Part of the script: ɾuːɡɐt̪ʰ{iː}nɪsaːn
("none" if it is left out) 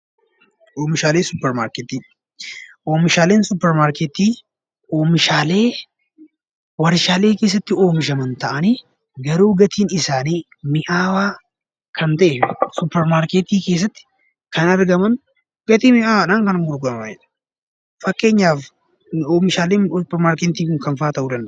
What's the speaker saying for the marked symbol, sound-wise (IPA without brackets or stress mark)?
iː